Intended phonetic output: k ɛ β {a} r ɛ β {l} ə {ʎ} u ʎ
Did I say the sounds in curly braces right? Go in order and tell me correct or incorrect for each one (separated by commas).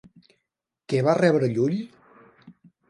correct, incorrect, correct